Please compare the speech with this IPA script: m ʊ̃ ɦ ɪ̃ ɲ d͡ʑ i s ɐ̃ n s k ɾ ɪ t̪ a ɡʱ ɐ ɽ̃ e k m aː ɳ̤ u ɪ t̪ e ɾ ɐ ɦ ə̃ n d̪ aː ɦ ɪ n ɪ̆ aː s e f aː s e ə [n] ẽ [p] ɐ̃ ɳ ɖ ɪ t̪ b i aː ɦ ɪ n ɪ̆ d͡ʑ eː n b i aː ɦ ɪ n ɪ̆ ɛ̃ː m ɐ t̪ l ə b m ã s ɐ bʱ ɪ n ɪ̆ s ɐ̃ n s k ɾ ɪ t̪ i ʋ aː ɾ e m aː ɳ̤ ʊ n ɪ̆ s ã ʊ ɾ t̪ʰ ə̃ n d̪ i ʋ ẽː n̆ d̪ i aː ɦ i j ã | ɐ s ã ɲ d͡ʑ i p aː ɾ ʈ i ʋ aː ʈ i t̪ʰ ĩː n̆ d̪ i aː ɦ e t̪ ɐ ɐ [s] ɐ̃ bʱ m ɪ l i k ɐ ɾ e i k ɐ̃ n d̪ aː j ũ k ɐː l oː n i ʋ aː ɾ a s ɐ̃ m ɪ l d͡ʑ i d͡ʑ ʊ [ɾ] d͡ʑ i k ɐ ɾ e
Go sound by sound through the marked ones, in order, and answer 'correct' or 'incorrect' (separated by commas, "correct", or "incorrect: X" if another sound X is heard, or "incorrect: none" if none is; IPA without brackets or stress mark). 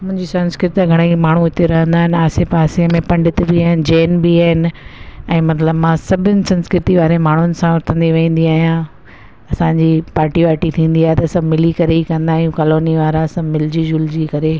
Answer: incorrect: m, correct, correct, incorrect: l